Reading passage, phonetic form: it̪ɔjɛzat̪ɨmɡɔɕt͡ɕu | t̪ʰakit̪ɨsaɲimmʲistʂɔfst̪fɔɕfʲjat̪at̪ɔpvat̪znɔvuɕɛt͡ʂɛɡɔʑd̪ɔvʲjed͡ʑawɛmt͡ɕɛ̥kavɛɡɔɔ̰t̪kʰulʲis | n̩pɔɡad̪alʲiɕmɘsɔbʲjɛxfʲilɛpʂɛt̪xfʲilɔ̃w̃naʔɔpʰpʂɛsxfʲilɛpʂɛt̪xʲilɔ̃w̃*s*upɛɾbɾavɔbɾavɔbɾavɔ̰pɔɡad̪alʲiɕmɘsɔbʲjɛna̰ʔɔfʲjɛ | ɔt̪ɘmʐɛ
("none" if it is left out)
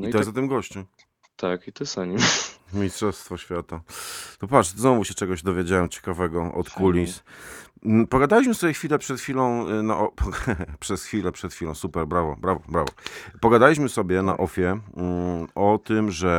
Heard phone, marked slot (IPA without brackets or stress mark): s